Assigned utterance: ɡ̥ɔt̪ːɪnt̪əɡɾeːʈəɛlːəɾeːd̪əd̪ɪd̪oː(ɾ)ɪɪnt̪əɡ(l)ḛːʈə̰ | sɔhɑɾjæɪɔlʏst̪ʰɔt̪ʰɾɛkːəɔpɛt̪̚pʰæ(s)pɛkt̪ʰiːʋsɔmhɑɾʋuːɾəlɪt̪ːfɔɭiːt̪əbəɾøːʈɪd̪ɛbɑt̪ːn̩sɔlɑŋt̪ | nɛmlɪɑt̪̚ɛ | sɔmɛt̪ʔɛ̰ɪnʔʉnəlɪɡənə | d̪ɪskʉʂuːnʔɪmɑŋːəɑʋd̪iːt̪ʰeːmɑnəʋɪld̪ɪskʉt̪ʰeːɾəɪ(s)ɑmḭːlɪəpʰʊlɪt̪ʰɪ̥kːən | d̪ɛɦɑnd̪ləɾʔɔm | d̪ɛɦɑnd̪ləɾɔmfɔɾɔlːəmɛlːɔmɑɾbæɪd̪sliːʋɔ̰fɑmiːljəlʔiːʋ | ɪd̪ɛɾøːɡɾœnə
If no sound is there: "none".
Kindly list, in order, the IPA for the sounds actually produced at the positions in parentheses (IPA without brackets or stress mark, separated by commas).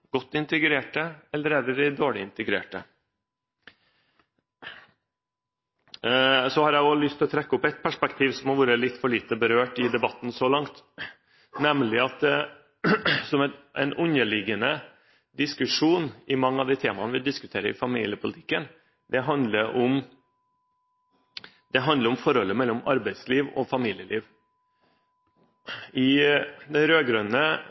ɭ, ɾ, ʂ, f